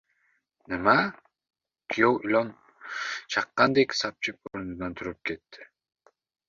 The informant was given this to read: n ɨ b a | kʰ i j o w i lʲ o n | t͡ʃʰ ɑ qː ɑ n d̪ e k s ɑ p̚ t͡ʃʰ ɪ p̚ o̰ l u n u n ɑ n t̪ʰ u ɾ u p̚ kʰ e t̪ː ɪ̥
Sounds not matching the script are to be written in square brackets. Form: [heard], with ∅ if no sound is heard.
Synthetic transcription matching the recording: n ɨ [m] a | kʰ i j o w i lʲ o n | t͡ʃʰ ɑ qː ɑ n d̪ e k s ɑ p̚ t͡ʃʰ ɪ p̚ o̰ [ɾ] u n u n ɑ n t̪ʰ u ɾ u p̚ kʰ e t̪ː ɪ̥